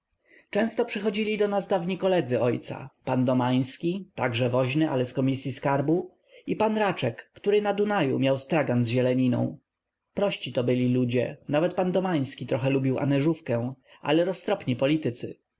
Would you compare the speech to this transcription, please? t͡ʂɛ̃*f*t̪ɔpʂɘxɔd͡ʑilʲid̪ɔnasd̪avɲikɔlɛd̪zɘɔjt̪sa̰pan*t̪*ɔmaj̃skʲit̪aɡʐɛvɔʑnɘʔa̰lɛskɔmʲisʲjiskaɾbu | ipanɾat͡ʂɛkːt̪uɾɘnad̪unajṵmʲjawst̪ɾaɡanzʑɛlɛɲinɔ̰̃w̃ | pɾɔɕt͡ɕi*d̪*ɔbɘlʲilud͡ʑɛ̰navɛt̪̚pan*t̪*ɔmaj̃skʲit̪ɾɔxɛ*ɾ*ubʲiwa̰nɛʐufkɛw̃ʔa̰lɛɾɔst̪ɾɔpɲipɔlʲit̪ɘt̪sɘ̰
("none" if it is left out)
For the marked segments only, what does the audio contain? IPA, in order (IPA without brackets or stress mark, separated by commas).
s, d̪, t̪, d̪, l